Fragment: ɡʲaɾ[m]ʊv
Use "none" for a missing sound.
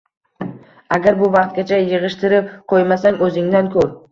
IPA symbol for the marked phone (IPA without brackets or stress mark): b